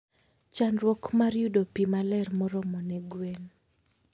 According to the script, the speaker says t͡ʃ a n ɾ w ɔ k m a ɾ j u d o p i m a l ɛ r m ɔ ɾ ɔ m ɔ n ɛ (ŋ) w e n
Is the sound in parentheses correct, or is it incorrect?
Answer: incorrect: ɡ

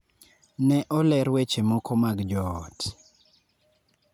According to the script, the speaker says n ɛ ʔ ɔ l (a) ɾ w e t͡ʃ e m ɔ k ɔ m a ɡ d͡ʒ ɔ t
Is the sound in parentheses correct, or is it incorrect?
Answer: incorrect: ɛ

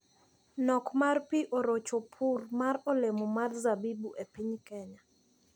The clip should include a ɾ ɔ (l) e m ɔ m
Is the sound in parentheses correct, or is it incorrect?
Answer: correct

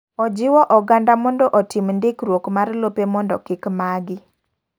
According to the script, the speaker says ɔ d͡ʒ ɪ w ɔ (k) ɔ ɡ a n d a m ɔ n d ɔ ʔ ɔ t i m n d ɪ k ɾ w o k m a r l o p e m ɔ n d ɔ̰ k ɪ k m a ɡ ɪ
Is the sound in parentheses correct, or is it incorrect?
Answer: incorrect: ʔ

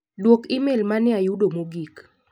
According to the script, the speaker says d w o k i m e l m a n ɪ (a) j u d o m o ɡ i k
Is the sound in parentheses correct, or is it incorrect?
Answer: correct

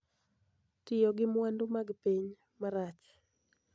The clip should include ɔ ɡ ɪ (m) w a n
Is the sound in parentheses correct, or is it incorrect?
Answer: correct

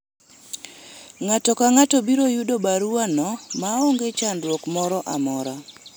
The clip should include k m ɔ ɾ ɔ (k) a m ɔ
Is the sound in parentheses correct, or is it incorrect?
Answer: incorrect: ʔ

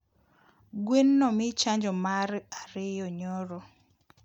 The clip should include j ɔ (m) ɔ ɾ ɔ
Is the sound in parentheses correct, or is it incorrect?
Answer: incorrect: ɲ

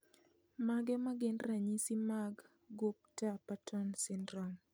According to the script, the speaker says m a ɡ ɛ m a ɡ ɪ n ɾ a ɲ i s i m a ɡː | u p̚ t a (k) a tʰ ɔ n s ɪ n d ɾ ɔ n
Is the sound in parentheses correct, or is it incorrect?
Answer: incorrect: p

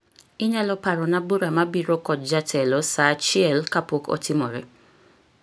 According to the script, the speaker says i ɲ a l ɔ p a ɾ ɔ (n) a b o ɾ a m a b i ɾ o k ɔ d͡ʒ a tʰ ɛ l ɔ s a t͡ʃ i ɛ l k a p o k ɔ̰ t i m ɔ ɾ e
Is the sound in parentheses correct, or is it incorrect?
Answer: correct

